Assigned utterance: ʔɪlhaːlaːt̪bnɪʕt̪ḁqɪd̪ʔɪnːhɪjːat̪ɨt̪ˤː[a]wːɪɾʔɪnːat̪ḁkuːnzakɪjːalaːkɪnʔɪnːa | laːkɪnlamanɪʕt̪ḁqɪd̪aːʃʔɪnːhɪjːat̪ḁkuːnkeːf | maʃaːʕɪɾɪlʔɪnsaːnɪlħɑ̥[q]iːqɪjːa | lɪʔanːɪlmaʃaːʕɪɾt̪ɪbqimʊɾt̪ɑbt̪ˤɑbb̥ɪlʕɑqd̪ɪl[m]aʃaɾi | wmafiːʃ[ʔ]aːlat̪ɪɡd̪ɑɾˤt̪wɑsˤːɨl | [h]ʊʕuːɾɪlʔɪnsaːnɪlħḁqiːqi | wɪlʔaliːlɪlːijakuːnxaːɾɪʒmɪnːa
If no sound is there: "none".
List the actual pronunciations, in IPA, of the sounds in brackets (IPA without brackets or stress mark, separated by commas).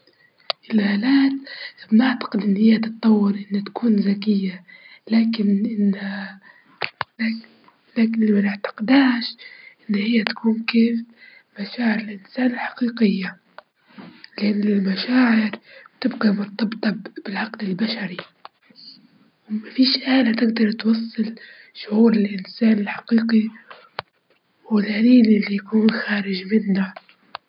ɑ, q, b, ʔ, ʃ